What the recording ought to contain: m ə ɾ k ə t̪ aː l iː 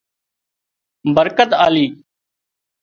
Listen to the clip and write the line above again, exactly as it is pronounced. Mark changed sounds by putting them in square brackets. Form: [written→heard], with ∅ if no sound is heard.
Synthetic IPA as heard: [m→b] ə ɾ k ə t̪ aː l iː